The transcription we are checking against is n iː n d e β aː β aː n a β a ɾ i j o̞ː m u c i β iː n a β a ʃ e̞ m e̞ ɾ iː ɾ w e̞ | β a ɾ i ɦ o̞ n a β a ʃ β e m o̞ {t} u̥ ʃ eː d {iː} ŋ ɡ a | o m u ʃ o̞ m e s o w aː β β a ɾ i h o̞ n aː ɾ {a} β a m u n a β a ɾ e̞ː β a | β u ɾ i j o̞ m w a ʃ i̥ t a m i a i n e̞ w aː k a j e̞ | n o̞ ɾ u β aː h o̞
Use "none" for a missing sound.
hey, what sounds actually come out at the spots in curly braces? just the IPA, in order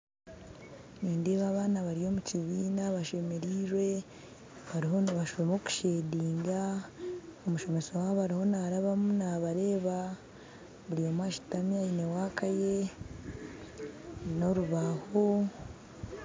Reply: k, iː, a

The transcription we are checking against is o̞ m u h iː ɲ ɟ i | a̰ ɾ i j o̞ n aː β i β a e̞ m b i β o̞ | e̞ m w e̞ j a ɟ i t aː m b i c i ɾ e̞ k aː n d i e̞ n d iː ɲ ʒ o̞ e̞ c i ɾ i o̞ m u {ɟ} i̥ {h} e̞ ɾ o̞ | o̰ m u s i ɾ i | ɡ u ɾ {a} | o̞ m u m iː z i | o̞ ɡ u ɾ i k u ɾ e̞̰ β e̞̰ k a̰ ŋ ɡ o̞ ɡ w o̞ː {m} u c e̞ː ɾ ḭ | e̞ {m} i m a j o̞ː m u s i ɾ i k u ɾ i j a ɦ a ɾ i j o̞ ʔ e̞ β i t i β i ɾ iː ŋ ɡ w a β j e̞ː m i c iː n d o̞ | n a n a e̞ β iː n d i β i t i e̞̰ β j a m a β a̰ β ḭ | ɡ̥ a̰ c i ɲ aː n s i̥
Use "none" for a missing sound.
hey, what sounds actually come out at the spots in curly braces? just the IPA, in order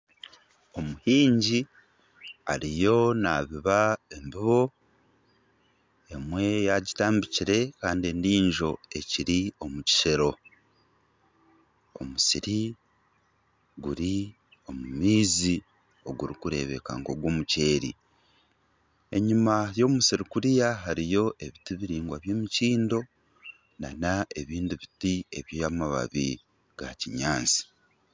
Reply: c, ʃ, i, m, ɲ

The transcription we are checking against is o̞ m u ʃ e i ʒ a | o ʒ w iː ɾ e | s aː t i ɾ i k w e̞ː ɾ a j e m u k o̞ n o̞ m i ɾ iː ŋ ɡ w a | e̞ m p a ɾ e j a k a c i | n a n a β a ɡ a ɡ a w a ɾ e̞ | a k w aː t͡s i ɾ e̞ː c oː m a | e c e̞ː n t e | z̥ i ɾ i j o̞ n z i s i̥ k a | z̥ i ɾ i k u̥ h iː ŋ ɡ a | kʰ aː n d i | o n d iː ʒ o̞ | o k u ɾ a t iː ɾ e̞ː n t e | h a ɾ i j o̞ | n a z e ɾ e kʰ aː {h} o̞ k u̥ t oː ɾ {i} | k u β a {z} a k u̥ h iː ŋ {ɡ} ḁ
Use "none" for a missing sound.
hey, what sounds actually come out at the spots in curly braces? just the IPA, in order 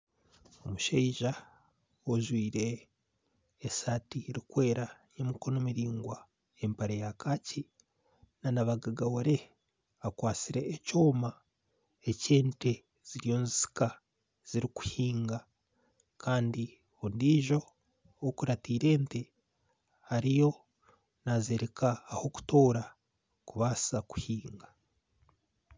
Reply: h, a, s, ɡ

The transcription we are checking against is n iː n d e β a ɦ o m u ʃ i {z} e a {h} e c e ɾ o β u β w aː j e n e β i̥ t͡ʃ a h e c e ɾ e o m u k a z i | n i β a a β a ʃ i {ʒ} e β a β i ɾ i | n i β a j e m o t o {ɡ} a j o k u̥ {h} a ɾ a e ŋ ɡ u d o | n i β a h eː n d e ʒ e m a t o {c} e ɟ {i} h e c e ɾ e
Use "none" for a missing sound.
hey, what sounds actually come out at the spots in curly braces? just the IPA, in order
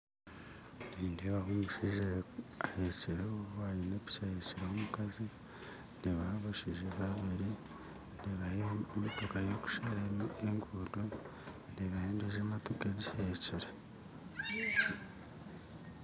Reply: ʒ, h, ʒ, k, ʃ, k, i

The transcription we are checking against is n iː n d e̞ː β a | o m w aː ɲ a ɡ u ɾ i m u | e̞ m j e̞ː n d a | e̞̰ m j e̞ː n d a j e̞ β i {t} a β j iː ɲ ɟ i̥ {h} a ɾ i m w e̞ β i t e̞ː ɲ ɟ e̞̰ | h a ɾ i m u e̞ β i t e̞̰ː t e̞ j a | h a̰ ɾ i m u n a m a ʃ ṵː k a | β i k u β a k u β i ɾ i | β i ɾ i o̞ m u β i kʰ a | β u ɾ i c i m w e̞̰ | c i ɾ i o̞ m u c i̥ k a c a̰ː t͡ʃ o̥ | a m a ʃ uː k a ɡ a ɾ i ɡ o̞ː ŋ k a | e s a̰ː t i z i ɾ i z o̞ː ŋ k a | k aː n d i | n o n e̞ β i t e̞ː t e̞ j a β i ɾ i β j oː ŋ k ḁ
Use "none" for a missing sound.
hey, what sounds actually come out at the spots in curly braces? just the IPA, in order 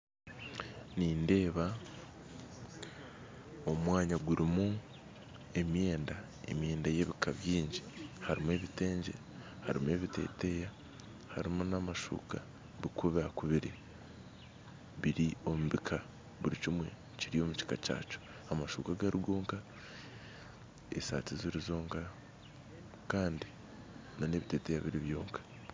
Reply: k, h

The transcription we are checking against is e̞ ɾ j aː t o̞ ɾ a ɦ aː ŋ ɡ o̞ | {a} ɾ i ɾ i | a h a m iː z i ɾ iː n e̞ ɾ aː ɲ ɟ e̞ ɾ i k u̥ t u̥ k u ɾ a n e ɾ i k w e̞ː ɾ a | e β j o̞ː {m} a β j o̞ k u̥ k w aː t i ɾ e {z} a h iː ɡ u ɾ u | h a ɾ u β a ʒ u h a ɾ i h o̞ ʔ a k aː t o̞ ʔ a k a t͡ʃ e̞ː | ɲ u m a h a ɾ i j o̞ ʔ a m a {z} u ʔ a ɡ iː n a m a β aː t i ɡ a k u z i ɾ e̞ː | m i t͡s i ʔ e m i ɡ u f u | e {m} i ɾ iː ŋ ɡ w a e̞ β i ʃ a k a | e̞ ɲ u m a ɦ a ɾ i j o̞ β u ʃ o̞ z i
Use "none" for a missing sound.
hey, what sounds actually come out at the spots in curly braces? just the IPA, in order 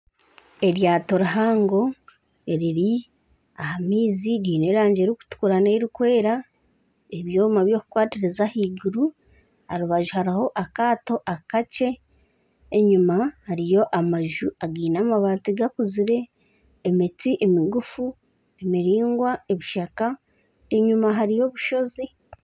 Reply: e, m, z, ʒ, m

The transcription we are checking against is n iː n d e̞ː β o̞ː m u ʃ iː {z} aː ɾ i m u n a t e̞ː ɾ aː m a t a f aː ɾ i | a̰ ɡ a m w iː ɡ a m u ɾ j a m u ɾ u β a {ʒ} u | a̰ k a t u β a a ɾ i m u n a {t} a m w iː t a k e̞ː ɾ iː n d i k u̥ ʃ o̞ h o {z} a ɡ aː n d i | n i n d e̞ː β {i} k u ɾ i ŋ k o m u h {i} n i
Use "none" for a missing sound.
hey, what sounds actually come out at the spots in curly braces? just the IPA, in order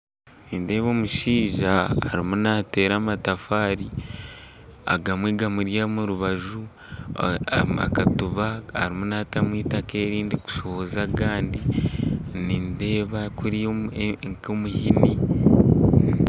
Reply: ʒ, ʒ, t, z, a, i

